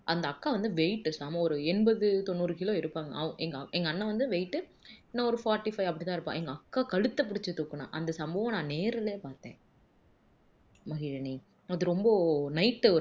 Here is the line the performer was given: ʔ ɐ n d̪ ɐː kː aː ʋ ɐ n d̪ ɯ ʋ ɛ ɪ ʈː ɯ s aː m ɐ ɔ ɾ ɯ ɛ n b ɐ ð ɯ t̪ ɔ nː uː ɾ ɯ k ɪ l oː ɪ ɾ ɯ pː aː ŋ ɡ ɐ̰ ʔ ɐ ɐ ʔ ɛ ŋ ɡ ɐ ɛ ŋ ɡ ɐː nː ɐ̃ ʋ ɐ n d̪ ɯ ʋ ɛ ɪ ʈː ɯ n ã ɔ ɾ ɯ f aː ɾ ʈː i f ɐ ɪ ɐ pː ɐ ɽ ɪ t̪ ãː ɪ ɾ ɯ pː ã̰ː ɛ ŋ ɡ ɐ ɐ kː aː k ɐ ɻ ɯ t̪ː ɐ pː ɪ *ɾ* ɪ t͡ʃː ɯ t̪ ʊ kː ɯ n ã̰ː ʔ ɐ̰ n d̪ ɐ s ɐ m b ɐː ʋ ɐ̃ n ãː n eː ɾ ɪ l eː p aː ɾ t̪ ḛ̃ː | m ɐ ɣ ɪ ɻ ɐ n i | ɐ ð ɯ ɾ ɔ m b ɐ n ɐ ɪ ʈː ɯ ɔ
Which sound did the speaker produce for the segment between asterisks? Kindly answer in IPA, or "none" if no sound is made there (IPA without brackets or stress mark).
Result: ɽ